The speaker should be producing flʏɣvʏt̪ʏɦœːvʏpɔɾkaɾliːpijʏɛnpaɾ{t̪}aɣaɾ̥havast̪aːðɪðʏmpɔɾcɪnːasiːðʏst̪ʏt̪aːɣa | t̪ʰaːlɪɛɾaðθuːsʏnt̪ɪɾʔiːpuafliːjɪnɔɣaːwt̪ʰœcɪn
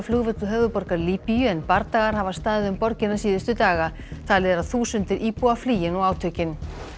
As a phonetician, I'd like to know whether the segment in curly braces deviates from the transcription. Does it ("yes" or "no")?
no